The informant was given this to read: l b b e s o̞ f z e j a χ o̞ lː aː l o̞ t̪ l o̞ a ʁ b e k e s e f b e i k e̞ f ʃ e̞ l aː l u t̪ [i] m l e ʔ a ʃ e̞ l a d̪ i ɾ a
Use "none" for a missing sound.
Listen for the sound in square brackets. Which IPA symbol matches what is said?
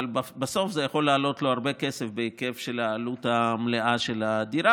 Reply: a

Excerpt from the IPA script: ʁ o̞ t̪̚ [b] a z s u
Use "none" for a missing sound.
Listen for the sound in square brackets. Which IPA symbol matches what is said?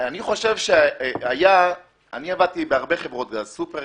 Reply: ɡ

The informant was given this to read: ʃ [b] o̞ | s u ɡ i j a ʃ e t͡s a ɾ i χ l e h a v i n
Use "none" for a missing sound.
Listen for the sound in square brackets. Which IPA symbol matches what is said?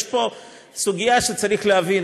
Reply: p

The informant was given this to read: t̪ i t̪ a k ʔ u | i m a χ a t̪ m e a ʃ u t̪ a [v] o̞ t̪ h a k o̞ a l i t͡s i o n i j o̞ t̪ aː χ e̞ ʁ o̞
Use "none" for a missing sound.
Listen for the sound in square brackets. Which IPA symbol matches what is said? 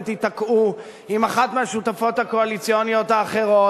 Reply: f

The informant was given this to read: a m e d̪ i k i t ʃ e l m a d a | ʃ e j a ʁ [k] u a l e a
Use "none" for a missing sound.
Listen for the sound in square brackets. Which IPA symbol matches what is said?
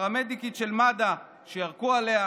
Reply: k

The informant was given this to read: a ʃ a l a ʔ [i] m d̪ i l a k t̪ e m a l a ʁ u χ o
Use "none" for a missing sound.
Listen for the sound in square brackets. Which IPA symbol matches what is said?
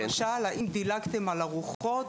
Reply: i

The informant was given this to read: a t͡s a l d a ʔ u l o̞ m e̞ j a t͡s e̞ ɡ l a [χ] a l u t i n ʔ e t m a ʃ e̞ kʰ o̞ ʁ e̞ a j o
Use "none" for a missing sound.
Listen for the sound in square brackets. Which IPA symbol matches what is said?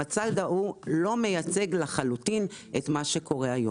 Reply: χ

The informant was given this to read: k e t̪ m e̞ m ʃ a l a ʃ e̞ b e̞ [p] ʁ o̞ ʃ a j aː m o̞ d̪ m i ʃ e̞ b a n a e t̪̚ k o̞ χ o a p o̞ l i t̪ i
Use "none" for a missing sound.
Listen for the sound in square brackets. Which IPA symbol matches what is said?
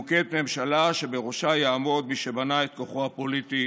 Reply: none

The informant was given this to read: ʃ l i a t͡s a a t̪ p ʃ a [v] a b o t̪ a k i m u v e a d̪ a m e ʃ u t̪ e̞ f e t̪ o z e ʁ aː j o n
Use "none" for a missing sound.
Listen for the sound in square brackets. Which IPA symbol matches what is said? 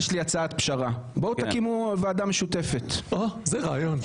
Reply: ʁ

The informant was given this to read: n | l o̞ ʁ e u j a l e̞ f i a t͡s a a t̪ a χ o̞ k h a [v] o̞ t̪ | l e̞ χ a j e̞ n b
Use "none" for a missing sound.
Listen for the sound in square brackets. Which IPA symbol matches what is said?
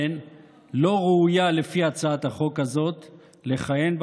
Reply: z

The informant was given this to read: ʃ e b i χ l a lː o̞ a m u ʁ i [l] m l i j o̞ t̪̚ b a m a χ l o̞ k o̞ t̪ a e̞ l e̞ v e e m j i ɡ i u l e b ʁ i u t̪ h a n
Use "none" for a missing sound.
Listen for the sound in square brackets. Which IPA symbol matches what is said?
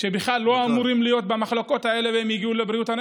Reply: none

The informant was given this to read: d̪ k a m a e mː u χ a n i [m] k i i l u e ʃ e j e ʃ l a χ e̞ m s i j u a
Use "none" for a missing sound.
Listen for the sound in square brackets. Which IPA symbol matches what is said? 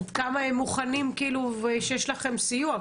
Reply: m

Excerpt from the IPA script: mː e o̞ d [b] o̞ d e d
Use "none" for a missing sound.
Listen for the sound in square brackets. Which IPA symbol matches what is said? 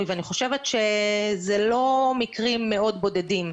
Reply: b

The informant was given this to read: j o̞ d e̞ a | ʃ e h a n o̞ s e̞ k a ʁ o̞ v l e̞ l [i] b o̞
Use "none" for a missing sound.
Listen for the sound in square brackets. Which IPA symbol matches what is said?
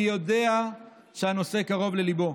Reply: i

